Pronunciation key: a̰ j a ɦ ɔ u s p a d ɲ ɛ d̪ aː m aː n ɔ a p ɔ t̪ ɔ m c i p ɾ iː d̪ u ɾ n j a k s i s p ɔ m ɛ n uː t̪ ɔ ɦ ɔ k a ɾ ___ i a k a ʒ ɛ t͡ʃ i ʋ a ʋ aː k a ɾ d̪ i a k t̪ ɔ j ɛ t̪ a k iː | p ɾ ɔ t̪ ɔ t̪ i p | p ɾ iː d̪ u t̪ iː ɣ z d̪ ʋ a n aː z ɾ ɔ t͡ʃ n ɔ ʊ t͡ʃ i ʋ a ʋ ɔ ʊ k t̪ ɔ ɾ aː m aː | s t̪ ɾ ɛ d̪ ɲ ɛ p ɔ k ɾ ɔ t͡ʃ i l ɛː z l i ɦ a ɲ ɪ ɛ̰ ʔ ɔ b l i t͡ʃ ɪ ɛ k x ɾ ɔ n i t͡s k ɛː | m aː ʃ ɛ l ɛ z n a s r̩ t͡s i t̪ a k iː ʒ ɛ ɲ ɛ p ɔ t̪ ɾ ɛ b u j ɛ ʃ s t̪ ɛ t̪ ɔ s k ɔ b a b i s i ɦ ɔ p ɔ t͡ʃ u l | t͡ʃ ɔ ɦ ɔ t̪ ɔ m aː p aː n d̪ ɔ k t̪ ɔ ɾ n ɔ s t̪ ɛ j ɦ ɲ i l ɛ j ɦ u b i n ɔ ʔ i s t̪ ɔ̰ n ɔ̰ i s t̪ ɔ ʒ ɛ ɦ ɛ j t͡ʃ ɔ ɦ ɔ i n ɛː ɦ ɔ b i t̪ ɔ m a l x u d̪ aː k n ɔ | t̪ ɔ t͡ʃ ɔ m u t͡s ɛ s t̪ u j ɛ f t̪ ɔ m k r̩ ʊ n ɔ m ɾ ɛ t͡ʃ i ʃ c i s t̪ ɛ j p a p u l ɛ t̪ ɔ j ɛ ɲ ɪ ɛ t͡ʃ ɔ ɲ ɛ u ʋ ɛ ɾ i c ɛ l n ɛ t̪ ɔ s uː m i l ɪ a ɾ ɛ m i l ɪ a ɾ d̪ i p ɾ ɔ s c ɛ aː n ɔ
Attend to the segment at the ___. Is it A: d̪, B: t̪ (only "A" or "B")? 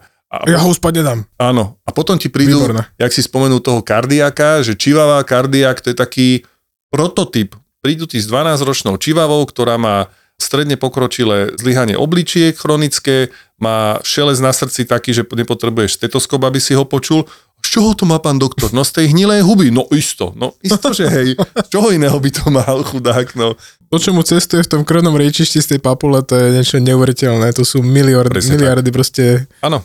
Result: A